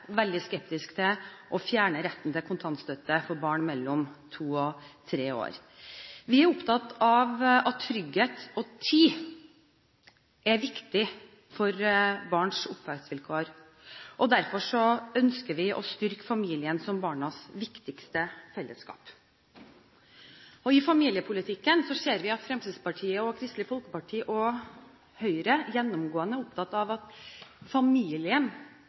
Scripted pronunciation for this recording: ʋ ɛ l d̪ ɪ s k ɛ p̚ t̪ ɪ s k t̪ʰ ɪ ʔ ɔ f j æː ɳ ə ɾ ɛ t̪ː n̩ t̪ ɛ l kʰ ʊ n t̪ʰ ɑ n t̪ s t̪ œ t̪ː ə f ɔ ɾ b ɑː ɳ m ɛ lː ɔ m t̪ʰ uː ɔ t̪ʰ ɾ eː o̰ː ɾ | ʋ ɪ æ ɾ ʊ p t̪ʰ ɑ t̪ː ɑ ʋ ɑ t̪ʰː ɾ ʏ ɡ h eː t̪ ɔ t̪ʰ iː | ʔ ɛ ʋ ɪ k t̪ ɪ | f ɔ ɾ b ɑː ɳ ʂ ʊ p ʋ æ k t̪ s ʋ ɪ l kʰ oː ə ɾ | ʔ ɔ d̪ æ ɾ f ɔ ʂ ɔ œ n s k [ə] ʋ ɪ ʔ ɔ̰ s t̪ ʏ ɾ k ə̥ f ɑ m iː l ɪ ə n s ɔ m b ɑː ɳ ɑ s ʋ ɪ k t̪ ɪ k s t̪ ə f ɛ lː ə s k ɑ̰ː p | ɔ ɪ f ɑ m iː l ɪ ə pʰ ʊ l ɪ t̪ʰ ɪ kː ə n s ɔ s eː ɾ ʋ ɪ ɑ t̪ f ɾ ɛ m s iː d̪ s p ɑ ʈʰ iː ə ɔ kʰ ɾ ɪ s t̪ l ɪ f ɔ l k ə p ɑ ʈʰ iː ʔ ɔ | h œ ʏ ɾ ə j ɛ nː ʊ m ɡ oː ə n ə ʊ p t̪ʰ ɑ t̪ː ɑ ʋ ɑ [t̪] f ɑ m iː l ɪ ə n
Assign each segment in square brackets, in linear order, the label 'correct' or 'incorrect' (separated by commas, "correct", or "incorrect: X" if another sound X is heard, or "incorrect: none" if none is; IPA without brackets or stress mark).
correct, correct